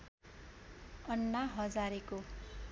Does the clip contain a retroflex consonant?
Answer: no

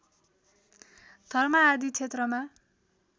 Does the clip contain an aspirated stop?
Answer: yes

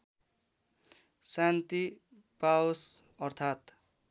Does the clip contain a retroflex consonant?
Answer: no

